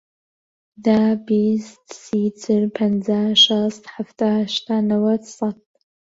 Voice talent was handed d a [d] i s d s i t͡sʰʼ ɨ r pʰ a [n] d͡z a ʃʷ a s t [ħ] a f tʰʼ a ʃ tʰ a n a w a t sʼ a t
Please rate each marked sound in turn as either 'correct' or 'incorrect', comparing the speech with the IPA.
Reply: incorrect: b, correct, correct

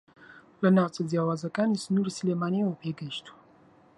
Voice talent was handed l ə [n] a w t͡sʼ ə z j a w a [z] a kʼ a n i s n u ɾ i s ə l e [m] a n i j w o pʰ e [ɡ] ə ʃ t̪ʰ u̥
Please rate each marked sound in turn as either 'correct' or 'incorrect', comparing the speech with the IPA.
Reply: correct, correct, correct, correct

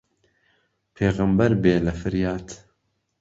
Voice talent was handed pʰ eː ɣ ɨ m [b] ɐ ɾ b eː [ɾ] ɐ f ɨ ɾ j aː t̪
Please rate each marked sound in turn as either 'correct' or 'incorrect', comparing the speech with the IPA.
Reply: correct, incorrect: l

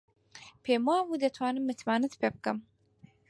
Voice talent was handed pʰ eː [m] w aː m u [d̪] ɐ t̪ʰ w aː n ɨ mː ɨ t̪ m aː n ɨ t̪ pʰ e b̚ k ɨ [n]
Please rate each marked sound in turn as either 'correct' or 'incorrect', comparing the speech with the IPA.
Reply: correct, correct, incorrect: m

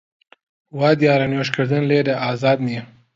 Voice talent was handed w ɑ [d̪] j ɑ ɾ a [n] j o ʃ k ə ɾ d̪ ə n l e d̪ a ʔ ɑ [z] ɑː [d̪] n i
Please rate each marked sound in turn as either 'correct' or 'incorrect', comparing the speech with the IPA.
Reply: correct, correct, correct, correct

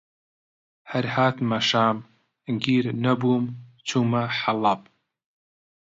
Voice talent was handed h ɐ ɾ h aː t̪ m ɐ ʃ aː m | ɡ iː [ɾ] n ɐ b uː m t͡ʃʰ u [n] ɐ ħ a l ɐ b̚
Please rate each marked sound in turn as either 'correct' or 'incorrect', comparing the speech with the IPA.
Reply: correct, incorrect: m

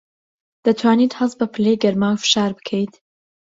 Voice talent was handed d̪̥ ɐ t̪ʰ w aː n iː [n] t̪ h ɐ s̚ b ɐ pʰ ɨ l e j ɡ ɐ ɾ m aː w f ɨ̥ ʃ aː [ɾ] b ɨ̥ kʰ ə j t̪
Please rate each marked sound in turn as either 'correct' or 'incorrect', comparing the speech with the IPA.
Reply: incorrect: none, correct

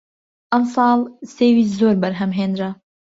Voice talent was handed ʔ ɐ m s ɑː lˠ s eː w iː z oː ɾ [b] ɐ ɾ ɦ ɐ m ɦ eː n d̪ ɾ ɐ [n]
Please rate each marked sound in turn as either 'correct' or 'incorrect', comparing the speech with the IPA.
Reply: correct, incorrect: none

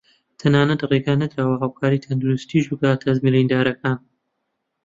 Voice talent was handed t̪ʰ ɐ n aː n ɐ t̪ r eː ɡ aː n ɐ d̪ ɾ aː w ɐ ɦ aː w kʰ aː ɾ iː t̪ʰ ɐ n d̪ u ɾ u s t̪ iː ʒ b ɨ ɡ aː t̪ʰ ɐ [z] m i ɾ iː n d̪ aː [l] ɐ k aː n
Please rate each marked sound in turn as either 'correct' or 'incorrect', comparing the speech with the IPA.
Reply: correct, incorrect: ɾ

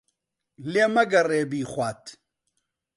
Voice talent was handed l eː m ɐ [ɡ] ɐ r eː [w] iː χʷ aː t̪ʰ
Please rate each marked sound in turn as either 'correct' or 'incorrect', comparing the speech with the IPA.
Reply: correct, incorrect: b

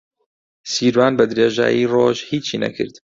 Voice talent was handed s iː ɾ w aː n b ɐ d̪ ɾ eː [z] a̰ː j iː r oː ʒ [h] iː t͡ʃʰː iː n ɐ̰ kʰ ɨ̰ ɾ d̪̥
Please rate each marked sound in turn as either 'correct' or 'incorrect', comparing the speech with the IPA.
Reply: incorrect: ʒ, correct

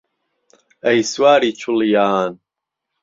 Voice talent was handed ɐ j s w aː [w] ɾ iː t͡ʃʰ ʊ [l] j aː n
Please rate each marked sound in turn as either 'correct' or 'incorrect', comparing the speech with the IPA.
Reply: incorrect: none, correct

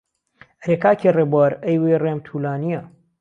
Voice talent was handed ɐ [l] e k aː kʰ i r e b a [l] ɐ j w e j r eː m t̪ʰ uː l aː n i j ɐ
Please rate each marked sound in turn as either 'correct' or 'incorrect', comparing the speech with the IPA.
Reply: incorrect: ɾ, incorrect: ɾ

